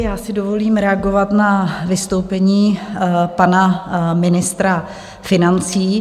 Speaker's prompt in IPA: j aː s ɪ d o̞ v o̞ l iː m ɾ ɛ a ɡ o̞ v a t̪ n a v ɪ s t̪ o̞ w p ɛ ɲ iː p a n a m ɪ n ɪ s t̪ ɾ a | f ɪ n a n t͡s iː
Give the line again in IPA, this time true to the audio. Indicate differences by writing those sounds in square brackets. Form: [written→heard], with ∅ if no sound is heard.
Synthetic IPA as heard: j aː s ɪ d o̞ v o̞ l iː m ɾ ɛ a ɡ o̞ v a t̪ n a v ɪ s t̪ o̞ w p ɛ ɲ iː p a n a m ɪ n ɪ s t̪ ɾ a | f ɪ n a n t͡s iː